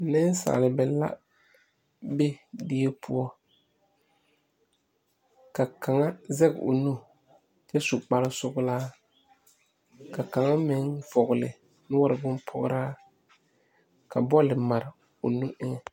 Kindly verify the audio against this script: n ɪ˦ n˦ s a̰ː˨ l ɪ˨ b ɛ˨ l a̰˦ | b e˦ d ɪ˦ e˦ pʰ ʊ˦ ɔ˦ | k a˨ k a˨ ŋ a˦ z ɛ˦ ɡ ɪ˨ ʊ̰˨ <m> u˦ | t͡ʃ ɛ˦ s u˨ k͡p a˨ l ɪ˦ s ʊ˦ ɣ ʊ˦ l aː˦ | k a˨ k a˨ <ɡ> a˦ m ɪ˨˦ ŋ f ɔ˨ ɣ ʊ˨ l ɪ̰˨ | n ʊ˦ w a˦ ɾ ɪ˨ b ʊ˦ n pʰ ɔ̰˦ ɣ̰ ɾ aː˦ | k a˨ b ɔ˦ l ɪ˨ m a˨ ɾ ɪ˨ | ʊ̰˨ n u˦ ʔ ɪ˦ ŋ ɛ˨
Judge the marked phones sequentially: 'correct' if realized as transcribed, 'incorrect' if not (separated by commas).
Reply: incorrect, incorrect